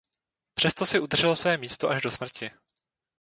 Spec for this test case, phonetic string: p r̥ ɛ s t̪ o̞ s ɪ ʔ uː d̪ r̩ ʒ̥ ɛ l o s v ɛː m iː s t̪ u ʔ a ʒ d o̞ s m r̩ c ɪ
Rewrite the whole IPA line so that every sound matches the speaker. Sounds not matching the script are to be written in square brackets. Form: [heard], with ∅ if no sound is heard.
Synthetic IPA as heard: p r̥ ɛ s t̪ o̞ s ɪ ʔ [u] d̪ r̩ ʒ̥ ɛ l o s v ɛː m iː s t̪ [o] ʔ a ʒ d o̞ s m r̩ c ɪ